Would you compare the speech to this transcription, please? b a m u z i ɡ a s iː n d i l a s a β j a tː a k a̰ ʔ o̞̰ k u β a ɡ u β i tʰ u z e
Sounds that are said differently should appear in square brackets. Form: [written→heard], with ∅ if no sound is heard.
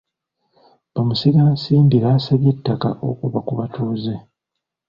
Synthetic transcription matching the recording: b a m u [z→s] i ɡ a s iː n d i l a s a β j [a→e] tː a k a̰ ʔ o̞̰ k u β a [ɡ→k] u β [i→a] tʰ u z e